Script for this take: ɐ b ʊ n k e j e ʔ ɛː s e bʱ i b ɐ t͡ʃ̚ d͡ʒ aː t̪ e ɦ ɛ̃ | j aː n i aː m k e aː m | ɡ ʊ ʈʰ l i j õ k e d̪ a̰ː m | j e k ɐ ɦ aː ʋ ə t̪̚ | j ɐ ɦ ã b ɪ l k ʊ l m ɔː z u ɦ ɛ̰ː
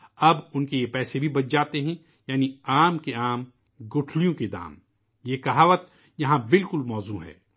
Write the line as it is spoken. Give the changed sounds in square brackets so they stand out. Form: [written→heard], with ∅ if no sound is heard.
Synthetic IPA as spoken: ɐ b ʊ n k e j e [ʔ→p] ɛː s e bʱ i b ɐ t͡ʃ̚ d͡ʒ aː t̪ e ɦ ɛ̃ | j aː n i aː m k e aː m | ɡ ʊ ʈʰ l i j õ k e d̪ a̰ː m | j e k ɐ ɦ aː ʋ ə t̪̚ | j ɐ ɦ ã b ɪ l k ʊ l m ɔː z u ɦ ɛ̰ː